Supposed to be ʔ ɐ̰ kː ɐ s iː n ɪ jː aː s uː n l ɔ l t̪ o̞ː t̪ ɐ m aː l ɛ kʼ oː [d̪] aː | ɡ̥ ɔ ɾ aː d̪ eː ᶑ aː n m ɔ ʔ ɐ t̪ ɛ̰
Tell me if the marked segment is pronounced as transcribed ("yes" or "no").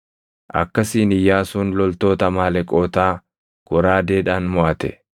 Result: no